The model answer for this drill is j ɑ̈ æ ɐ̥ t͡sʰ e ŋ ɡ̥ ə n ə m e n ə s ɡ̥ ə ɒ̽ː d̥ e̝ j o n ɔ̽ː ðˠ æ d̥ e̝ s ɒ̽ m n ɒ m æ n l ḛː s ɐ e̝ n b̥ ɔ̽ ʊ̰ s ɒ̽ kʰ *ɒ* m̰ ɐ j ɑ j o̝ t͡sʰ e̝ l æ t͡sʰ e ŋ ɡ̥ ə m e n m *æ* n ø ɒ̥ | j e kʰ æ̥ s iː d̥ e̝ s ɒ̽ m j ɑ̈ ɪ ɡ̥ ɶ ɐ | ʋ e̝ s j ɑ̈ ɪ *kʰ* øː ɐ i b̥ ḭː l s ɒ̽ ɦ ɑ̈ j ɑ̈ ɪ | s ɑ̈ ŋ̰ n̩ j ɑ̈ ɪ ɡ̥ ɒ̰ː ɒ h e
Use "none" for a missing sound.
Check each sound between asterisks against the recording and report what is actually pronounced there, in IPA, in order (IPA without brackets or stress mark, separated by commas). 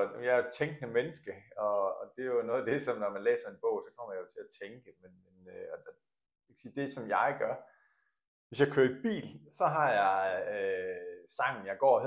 ɒ, e, kʰ